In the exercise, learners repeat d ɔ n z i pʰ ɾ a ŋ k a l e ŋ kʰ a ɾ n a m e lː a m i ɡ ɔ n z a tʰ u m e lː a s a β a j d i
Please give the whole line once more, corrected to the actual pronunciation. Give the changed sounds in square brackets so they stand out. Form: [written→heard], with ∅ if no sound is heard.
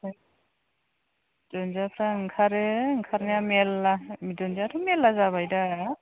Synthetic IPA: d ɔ n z [i→a] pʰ ɾ a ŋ [k→kʰ] a [l→ɾ] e ŋ kʰ a ɾ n a m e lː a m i [ɡ→d] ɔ n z a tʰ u m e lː a [s→z] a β a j d [i→a]

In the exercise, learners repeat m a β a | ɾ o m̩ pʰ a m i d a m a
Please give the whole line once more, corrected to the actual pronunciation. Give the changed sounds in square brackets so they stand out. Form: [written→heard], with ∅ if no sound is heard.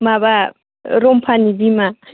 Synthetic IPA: m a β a | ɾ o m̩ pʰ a [m→n] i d [a→i] m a

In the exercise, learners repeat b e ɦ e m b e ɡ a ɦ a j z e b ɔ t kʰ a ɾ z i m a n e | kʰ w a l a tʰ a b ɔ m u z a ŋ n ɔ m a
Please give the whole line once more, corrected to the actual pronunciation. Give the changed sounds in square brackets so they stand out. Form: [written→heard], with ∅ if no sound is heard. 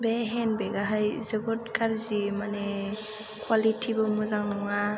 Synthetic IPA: b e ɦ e [m→n] b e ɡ a ɦ a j z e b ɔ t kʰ a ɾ z i m a n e | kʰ w a l [a→i] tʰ [a→i] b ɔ m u z a ŋ n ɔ [m→ŋ] a

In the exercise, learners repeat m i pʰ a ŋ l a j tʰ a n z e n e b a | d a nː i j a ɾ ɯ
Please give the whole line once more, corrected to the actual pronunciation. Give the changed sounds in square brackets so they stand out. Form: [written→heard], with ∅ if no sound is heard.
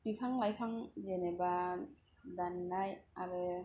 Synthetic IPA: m i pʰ a ŋ l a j [tʰ→pʰ] a [n→ŋ] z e n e b a | d a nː [i→a] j a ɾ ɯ

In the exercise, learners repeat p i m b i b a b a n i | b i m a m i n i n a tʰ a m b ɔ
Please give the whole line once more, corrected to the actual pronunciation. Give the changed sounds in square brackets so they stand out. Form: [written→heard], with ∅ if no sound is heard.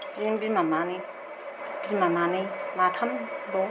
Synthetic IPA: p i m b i [b→m] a [b→m] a n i | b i m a m [i→a] n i [n→m] a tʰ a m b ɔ

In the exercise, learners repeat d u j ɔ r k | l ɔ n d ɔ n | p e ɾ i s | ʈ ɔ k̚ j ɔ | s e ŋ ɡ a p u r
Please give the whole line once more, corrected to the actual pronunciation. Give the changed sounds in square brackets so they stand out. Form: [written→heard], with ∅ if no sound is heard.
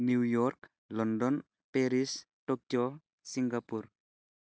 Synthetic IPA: [d→n] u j ɔ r k | l ɔ n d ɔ n | p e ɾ i s | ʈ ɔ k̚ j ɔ | s [e→i] ŋ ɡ a p u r

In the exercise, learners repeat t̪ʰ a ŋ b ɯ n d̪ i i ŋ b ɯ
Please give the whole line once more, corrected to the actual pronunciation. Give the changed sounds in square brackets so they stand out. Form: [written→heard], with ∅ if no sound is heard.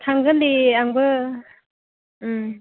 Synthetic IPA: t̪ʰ a ŋ [b→ɡ] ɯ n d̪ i [i→a] ŋ b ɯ

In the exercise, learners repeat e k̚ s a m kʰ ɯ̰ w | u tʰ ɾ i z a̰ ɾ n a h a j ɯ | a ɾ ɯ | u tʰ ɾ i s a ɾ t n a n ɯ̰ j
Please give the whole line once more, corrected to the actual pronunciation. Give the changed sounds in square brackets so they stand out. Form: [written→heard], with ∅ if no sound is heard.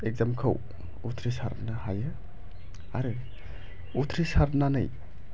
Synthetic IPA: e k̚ [s→z] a m kʰ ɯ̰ w | u tʰ ɾ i [z→s] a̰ ɾ n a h a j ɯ | a ɾ ɯ | u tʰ ɾ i s a ɾ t n a n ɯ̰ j

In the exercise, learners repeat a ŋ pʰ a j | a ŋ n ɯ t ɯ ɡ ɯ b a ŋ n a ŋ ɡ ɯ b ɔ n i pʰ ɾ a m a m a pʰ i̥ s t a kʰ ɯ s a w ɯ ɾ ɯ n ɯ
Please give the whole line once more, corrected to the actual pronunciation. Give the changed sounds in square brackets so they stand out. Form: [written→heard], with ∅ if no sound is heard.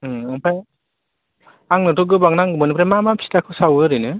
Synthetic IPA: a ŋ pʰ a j | a ŋ n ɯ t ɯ ɡ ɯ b a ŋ n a ŋ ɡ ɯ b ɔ n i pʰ ɾ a m a m a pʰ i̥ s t a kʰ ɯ s a w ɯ ɾ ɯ n ɯ

